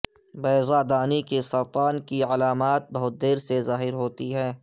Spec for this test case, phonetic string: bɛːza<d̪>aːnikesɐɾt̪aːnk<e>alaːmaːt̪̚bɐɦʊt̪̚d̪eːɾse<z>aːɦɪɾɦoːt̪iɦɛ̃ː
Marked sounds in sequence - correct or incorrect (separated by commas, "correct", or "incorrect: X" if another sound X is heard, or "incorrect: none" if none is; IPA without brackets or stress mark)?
correct, incorrect: i, correct